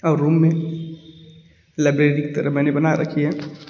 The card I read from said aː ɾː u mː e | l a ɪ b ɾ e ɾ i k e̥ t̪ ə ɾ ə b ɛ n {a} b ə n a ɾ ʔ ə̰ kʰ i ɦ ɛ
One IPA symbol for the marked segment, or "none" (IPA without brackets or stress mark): e